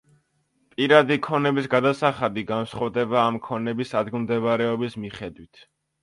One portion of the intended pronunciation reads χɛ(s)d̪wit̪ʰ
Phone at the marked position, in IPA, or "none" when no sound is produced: none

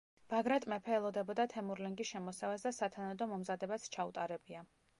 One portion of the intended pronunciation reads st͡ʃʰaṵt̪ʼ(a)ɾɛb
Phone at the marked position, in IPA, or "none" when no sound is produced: a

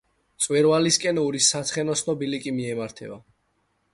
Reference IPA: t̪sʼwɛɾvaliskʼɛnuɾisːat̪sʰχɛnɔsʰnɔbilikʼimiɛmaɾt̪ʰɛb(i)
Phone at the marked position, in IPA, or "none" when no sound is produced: a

